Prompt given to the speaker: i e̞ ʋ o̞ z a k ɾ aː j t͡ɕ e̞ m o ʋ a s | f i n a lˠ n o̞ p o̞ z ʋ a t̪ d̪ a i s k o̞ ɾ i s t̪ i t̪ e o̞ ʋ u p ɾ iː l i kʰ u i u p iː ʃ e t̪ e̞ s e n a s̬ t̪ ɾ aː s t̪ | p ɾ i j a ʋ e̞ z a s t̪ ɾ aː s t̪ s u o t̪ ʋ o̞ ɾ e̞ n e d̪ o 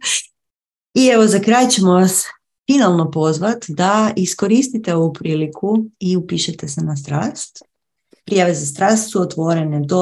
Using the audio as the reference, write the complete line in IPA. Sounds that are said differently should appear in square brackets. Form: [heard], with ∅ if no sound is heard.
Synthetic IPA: i e̞ ʋ o̞ z a k ɾ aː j t͡ɕ e̞ m o ʋ a s | f i n a lˠ n o̞ p o̞ z ʋ a t̪ d̪ a i s k o̞ ɾ i s t̪ i t̪ e o̞ ʋ u p ɾ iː l i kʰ u i u p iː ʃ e t̪ e̞ s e n a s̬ t̪ ɾ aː s t̪ | p ɾ i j a ʋ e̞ z a s t̪ ɾ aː s t̪ s u o t̪ ʋ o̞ ɾ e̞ n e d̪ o